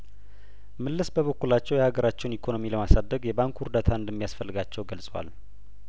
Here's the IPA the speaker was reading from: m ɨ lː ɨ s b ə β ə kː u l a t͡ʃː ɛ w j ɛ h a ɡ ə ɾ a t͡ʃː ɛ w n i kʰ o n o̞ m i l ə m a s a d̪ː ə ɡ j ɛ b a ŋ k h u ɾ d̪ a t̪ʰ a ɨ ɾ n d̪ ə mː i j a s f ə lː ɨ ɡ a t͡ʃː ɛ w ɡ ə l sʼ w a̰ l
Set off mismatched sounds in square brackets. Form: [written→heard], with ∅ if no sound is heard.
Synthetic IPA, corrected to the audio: m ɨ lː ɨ s b ə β ə kː u l a t͡ʃː ɛ w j ɛ h a ɡ ə ɾ a t͡ʃː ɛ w n i kʰ o n o̞ m i l ə m a s a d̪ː ə ɡ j ɛ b a ŋ k h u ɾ d̪ a t̪ʰ a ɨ [ɾ→∅] n d̪ ə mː i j a s f ə lː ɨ ɡ a t͡ʃː ɛ w ɡ ə l sʼ w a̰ l